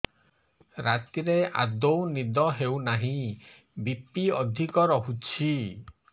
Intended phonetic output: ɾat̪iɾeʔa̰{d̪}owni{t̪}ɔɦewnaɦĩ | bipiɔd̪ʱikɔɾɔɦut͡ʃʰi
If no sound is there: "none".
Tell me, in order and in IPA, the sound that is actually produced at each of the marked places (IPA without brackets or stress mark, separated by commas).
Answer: d̪, d̪